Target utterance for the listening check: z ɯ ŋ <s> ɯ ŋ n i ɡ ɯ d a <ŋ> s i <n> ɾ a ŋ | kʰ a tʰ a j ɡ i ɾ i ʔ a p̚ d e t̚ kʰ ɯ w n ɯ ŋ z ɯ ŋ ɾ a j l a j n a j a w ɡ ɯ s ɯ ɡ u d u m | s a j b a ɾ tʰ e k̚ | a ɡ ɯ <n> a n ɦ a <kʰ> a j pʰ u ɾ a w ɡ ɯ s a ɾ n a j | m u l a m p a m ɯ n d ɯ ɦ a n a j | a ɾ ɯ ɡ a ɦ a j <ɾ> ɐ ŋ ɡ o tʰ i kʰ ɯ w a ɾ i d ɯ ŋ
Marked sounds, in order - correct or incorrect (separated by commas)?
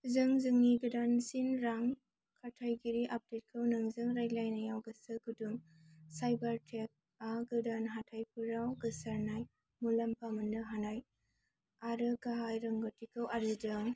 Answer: incorrect, incorrect, correct, incorrect, incorrect, correct